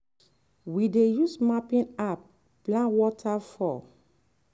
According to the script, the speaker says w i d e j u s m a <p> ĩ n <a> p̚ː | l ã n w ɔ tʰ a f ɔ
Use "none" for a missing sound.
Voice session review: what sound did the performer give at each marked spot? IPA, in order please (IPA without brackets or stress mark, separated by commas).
p, a